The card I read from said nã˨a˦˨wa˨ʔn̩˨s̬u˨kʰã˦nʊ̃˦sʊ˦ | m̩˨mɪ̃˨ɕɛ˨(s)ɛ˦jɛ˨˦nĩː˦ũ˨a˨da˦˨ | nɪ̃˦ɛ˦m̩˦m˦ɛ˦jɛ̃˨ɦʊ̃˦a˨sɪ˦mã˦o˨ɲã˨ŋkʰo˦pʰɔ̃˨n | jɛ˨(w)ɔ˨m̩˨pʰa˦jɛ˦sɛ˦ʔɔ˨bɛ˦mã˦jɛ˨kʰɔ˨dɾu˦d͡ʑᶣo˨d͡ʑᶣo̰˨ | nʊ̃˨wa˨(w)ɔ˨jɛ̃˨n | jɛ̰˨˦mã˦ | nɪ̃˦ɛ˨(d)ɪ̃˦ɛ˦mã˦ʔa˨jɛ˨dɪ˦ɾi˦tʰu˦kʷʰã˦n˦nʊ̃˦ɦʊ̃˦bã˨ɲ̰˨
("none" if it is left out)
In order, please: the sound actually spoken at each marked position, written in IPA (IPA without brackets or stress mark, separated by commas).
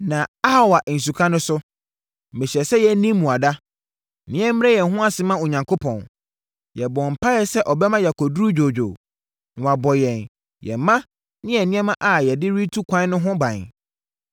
s, b, b, n